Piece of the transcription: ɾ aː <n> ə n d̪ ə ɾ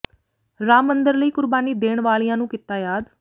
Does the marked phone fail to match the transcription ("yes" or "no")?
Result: yes